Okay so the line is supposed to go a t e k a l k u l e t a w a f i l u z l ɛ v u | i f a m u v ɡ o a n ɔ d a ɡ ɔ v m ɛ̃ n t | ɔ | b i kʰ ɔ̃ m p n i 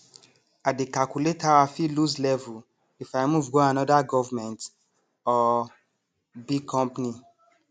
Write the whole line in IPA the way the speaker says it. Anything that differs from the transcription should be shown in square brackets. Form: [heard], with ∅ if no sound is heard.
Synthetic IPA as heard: a [d] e k a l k u l e t a w a f i l u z l ɛ v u | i f a m u v ɡ o a n ɔ d a ɡ ɔ v m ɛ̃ n t | ɔ | b i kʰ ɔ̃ m p n i